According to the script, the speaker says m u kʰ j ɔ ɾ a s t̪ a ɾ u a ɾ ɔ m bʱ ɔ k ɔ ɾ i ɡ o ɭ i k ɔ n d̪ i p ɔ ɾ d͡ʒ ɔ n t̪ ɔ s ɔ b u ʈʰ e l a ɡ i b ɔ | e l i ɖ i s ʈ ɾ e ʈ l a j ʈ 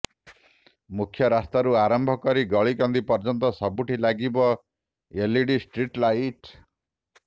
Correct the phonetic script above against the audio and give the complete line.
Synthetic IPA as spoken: m u kʰ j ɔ ɾ a s t̪ a ɾ u a ɾ ɔ m bʱ ɔ k ɔ ɾ i ɡ ɔ ɭ i k ɔ n d̪ i p ɔ ɾ d͡ʒ ɔ n t̪ ɔ s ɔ b u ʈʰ i l a ɡ i b ɔ | e l i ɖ i s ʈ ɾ i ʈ l a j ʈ